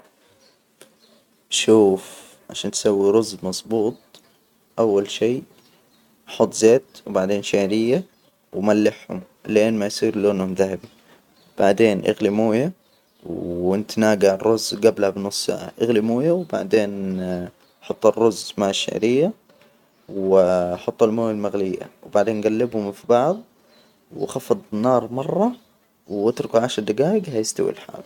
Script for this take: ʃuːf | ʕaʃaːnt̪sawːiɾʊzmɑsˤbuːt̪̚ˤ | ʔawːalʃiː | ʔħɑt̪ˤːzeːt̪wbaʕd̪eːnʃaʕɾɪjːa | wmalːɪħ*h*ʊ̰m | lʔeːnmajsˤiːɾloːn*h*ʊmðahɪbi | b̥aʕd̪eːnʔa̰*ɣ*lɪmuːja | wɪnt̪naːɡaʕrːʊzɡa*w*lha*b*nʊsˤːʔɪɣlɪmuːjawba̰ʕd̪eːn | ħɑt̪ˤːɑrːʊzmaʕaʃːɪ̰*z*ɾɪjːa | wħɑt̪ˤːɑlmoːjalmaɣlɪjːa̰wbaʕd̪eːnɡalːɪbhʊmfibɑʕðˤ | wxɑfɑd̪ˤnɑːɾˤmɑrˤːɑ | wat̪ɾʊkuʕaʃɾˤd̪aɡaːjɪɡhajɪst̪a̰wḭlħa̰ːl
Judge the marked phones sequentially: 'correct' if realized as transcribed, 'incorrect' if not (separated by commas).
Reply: correct, correct, correct, incorrect, correct, incorrect